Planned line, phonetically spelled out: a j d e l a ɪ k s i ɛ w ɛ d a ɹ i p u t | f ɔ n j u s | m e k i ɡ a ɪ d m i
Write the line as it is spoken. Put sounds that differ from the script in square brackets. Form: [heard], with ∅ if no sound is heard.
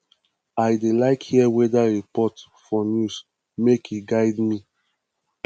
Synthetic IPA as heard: a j d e l a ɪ k [h] i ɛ w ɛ d a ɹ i p [ɔ] t | f ɔ n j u s | m e k i ɡ a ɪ d m i